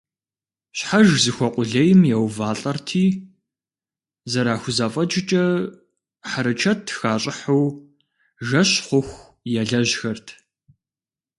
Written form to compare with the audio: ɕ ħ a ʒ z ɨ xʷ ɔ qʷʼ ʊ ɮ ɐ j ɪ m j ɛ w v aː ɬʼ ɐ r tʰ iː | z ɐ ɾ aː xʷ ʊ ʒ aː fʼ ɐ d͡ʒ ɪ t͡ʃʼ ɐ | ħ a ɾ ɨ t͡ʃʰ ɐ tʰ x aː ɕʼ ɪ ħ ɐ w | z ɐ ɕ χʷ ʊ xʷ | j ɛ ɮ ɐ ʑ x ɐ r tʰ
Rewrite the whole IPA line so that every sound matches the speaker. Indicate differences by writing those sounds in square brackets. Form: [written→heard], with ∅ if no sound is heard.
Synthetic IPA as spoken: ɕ ħ a ʒ z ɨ xʷ ɔ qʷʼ ʊ ɮ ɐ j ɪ m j ɛ w v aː ɬʼ ɐ r tʰ iː | z ɐ ɾ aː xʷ ʊ [ʒ→z] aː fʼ ɐ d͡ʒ ɪ t͡ʃʼ ɐ | ħ a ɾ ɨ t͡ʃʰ ɐ tʰ x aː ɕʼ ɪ ħ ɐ w | [z→ʒ] ɐ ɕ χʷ ʊ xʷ | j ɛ ɮ ɐ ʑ x ɐ r tʰ